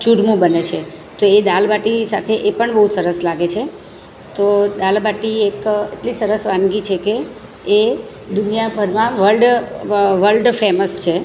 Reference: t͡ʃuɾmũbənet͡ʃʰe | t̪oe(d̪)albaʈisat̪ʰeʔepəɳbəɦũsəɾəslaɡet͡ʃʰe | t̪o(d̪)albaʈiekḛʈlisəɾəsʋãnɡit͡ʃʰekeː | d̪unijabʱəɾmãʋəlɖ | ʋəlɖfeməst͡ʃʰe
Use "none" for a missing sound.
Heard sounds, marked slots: d̪, d̪

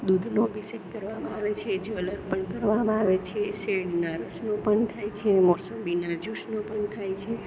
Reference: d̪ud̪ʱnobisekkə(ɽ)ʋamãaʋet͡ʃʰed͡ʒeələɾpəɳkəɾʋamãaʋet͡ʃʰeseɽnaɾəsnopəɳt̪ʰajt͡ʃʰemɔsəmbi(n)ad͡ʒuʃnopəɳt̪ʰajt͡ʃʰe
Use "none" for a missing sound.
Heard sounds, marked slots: ɾ, n

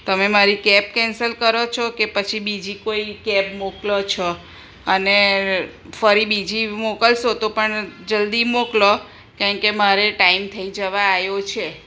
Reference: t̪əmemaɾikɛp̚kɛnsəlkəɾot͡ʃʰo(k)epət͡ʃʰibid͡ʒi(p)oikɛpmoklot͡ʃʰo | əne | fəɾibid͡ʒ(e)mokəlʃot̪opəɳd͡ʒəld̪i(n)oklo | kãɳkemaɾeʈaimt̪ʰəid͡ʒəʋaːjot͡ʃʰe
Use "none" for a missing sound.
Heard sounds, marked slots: k, k, i, m

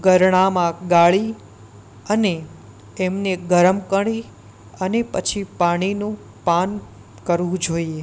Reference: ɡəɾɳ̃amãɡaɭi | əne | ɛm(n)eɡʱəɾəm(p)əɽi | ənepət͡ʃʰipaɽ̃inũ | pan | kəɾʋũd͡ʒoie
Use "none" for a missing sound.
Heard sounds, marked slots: n, k

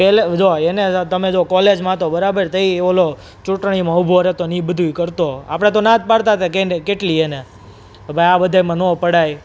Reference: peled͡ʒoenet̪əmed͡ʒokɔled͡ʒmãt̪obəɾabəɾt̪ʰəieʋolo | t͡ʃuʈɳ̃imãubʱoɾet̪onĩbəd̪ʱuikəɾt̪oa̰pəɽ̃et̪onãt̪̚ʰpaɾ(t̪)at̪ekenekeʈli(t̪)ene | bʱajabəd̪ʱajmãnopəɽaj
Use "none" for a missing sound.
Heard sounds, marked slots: t̪, none

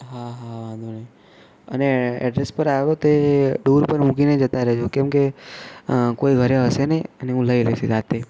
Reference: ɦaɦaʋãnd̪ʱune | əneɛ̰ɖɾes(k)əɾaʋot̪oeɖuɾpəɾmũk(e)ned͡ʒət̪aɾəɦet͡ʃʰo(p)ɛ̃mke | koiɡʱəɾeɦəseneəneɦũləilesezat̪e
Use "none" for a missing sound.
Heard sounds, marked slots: p, i, k

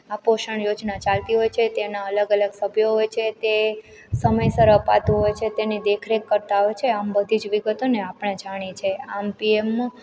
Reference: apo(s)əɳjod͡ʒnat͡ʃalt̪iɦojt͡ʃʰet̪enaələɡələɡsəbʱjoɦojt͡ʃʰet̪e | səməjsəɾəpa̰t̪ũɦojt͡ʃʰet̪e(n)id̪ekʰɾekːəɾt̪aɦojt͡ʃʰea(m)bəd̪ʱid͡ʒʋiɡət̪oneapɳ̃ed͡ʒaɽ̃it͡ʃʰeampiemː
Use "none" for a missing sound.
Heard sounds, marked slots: ʃ, n, m

